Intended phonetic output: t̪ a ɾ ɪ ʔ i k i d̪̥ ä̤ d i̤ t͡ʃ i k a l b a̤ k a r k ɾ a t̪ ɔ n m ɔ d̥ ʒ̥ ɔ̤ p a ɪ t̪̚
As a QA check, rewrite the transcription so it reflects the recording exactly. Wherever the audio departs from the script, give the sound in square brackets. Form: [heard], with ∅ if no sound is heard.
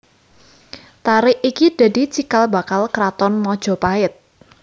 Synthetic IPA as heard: t̪ a ɾ ɪ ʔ i k i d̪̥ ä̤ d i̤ t͡ʃ i k a l b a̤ k a [l] k ɾ a t̪ ɔ n m ɔ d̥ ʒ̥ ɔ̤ p a ɪ t̪̚